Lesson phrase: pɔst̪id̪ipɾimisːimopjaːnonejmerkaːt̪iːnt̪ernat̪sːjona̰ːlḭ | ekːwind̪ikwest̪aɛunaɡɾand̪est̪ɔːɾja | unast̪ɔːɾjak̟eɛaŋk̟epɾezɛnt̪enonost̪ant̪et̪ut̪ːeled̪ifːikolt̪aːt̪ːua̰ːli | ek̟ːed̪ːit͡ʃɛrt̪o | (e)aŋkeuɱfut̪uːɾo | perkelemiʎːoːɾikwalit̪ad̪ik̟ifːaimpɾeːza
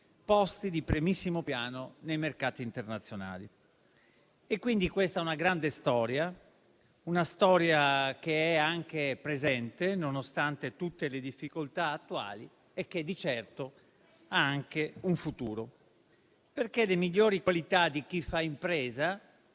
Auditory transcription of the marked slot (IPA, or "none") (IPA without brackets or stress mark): a